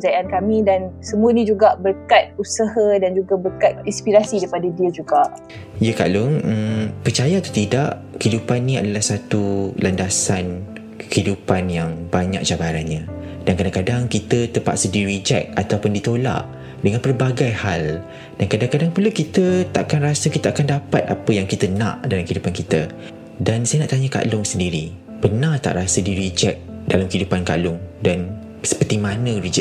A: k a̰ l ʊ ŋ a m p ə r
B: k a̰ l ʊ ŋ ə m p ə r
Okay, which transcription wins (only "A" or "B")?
B